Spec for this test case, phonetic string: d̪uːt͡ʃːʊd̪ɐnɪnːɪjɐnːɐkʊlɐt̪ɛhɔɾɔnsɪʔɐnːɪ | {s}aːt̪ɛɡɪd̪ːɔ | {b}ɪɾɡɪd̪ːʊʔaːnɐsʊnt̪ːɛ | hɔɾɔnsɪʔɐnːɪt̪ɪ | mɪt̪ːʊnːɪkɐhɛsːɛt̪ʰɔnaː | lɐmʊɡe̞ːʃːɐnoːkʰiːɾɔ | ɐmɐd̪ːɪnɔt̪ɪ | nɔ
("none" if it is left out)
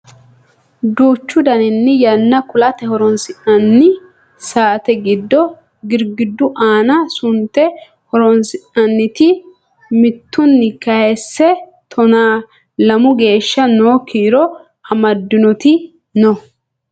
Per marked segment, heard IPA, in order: s, ɡ

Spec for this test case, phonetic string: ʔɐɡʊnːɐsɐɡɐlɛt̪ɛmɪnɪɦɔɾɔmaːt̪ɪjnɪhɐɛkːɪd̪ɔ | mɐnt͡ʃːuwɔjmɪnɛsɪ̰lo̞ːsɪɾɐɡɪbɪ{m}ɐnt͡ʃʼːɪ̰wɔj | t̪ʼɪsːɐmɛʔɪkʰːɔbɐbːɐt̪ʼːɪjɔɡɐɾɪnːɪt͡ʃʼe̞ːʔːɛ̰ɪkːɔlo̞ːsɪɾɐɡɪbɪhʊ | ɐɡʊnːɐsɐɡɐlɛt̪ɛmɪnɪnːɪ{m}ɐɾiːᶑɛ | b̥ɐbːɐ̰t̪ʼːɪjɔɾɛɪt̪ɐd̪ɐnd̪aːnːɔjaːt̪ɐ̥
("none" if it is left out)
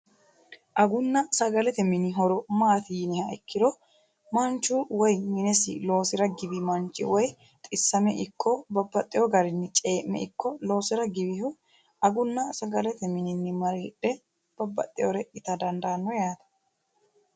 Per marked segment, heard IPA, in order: m, m

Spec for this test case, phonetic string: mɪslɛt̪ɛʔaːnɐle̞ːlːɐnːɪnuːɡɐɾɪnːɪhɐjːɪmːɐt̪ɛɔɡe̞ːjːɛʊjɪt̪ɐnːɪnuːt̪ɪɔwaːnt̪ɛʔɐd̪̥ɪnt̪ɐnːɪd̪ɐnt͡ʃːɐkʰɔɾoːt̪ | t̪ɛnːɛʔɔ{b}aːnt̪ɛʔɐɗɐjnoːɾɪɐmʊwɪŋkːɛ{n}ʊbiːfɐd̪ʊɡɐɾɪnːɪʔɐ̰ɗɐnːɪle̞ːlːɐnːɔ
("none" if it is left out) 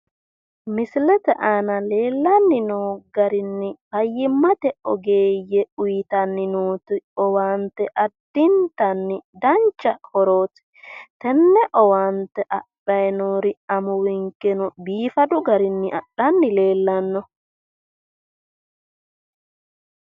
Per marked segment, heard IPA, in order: w, n

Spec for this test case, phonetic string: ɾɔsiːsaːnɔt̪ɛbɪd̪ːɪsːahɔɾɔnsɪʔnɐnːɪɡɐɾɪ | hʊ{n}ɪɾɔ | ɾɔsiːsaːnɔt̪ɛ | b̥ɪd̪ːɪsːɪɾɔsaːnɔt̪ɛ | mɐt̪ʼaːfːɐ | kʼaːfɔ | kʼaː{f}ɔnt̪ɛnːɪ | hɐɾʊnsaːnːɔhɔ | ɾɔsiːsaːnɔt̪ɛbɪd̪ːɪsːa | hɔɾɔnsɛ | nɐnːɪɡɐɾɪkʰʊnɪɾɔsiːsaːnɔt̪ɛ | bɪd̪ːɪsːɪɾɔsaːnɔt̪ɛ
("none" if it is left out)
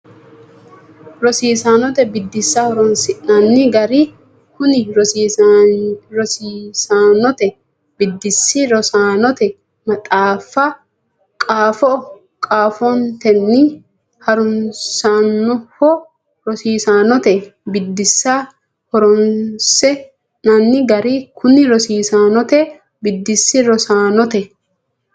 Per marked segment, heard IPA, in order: n, f

